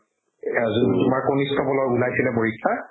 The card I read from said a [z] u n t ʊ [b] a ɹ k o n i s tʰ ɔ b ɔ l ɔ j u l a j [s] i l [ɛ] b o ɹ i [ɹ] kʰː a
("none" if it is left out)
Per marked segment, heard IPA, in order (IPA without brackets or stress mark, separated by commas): z, m, s, ɛ, none